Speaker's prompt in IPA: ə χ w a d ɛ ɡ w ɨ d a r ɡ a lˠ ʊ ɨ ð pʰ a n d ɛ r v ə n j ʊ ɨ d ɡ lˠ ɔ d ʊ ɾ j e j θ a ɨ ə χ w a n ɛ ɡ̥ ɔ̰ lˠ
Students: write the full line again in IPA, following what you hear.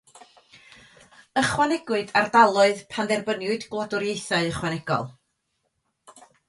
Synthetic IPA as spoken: ə χ w a n ɛ ɡ w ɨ d a r d a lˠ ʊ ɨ ð pʰ a n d ɛ r b ə n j ʊ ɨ d ɡ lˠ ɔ d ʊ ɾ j e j θ a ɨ ə χ w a n ɛ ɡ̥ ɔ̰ lˠ